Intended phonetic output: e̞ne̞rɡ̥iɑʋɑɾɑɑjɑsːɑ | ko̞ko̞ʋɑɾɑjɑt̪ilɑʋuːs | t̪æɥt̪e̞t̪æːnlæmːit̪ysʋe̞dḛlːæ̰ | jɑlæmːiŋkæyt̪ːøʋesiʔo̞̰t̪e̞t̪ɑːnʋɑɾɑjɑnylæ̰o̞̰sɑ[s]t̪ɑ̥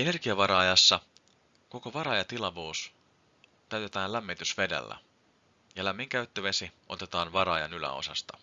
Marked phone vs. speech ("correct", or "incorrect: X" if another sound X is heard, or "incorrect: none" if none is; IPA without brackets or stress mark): correct